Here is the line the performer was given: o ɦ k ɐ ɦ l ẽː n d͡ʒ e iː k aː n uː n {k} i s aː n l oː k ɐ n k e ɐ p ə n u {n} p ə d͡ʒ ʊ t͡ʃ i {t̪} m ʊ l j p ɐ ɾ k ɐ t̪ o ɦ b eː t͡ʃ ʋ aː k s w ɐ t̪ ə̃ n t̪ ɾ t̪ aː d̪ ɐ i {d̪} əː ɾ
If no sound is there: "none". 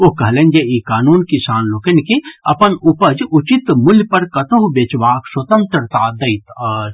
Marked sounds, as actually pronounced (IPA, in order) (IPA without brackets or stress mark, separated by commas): k, none, t̪, t̪